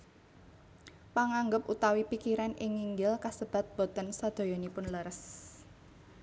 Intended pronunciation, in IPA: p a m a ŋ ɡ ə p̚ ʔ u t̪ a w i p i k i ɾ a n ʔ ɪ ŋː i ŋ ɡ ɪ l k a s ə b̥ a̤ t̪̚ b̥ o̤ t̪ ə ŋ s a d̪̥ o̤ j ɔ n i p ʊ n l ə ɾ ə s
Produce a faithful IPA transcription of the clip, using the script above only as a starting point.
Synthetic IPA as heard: p a ŋ a ŋ ɡ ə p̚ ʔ u t̪ a w i p i k i ɾ a n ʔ ɪ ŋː i ŋ ɡ ɪ l k a s ə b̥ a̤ t̪̚ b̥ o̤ t̪ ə n s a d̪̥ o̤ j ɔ n i p ʊ n l ə ɾ ə s